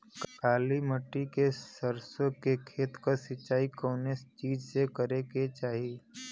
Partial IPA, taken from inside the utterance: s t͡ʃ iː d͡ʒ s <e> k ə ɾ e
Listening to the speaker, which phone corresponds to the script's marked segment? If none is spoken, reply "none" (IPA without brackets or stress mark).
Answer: e